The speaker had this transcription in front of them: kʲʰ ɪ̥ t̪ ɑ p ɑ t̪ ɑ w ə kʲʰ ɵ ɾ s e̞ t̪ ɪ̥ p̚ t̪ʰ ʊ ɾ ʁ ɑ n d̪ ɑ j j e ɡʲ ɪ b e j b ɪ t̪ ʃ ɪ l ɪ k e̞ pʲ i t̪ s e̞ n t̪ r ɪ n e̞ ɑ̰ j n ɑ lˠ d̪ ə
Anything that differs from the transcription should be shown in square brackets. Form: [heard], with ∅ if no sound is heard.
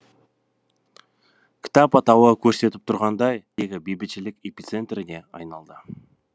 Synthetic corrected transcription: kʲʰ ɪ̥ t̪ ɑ p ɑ t̪ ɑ w ə kʲʰ ɵ ɾ s e̞ t̪ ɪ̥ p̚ t̪ʰ ʊ ɾ ʁ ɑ n d̪ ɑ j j e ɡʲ ɪ b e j b ɪ t̪ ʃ ɪ l ɪ k e̞ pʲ i t̪ s e̞ n t̪ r ɪ n e̞ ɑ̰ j n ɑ lˠ d̪ ə